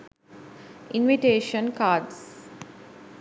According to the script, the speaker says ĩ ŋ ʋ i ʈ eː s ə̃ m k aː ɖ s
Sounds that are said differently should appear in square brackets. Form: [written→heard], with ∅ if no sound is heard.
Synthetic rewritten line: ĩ [ŋ→n] ʋ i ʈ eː [s→ʃ] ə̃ [m→n] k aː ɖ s